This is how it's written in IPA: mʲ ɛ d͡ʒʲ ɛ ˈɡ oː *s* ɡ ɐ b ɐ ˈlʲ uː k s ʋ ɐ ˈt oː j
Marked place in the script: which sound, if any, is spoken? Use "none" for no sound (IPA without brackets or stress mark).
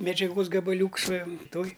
s